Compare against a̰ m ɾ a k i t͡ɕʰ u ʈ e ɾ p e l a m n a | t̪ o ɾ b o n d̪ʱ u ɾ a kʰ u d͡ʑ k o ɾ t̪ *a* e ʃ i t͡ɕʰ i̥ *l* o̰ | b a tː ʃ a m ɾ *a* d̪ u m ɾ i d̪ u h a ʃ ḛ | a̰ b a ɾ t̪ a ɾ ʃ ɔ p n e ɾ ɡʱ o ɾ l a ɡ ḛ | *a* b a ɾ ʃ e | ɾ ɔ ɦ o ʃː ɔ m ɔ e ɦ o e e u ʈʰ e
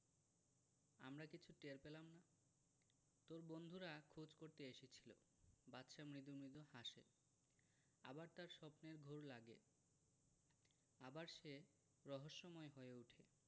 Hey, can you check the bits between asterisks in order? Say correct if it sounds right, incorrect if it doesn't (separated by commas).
incorrect, correct, incorrect, correct